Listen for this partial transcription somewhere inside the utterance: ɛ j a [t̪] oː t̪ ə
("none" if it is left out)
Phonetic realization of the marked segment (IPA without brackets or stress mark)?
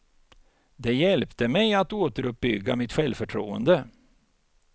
t̪